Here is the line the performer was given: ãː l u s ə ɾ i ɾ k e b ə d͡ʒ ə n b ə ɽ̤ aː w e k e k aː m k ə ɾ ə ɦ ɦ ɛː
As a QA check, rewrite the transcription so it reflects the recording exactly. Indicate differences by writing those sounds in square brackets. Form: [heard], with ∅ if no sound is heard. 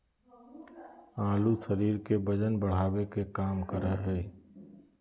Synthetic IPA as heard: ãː l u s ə ɾ [iː] ɾ k e b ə d͡ʒ ə n b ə ɽ̤ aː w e k e k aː m k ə ɾ ə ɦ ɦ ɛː